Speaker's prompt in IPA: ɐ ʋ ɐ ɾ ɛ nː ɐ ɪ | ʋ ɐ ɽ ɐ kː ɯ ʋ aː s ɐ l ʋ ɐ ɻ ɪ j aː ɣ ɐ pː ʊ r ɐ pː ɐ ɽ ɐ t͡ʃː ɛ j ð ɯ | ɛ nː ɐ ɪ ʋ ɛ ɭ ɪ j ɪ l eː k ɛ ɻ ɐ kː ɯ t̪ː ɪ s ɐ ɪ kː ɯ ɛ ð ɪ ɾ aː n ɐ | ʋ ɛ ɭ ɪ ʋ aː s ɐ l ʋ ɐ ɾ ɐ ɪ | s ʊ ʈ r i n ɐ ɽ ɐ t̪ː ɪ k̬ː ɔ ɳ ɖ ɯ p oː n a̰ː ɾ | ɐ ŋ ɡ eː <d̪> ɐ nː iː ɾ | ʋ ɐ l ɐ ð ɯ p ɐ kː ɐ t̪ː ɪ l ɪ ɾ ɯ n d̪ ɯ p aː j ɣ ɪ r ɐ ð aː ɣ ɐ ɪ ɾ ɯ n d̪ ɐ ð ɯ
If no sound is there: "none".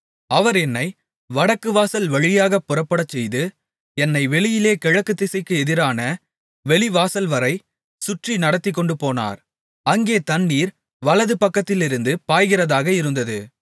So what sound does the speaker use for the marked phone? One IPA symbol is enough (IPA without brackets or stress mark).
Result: t̪